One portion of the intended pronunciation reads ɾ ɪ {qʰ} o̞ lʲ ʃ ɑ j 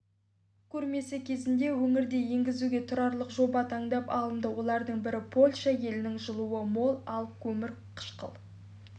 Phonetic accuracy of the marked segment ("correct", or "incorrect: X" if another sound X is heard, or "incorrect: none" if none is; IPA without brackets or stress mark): incorrect: pʰ